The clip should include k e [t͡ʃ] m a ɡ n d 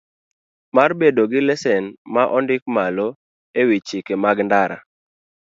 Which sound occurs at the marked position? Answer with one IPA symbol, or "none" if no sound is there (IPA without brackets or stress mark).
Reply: none